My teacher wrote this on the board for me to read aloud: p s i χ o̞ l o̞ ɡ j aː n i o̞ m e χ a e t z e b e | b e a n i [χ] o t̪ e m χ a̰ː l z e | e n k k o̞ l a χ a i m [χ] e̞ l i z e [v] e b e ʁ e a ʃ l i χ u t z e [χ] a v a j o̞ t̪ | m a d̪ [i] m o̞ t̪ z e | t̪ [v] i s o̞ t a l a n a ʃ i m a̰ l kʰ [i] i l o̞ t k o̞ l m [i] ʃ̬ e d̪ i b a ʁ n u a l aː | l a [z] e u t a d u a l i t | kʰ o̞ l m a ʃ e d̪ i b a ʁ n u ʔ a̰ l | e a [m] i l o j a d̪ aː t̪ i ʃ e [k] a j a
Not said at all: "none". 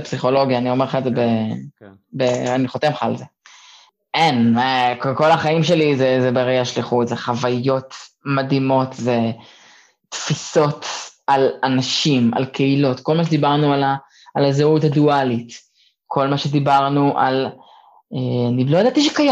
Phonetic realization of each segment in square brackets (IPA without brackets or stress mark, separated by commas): χ, ʃ, z, χ, i, f, e, a, z, n, k